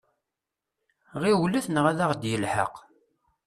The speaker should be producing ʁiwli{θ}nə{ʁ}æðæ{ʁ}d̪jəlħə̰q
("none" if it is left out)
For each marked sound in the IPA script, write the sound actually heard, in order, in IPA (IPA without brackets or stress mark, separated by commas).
θ, ʁ, ʁ